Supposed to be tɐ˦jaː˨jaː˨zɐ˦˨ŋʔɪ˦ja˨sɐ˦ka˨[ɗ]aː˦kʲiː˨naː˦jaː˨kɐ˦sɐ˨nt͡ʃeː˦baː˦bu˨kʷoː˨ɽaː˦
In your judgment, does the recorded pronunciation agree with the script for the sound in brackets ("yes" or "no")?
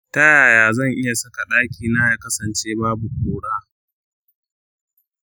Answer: yes